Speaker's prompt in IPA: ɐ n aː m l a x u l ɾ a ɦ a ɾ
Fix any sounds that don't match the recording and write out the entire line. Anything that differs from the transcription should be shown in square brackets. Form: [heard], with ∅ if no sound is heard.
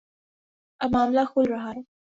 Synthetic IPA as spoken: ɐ [m] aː m l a x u l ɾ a ɦ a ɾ